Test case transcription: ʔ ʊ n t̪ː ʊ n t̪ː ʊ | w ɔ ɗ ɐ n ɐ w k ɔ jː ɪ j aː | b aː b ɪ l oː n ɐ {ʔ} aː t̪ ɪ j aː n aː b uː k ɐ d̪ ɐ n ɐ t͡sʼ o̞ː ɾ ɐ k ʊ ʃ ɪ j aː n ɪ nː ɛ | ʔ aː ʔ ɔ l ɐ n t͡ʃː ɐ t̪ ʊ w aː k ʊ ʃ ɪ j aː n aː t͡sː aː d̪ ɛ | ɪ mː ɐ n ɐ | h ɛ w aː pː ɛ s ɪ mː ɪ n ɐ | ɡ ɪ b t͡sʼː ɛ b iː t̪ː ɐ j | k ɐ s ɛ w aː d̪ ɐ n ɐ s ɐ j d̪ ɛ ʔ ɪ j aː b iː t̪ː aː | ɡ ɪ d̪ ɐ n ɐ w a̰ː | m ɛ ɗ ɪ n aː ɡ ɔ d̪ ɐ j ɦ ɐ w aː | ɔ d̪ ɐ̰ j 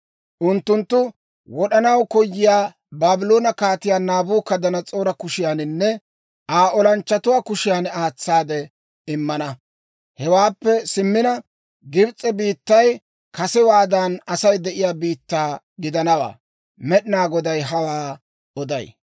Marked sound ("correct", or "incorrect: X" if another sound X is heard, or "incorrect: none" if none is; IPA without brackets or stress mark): incorrect: k